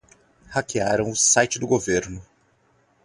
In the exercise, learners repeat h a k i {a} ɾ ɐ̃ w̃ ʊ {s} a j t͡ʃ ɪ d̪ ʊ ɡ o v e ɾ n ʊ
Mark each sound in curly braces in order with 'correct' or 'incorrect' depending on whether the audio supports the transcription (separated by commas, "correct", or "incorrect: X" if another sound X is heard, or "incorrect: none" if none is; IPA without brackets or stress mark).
correct, correct